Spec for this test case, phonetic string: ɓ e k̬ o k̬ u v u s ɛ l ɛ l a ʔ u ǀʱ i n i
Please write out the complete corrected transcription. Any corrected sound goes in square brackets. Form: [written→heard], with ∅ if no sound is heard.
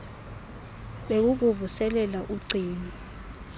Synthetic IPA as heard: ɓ e k̬ [o→u] k̬ u v u s ɛ l ɛ l a ʔ u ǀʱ [i→iː] n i